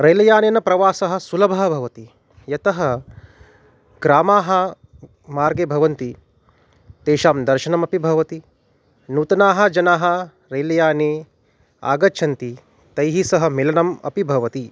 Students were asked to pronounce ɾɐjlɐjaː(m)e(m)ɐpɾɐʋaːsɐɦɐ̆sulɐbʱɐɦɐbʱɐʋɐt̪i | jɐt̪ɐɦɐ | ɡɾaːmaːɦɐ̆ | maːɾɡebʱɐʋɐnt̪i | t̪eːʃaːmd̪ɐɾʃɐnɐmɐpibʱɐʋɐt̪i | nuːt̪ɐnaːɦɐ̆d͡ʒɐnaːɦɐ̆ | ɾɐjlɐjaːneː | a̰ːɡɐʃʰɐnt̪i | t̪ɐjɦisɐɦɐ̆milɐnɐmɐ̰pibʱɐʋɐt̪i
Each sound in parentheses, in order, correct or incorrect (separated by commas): incorrect, incorrect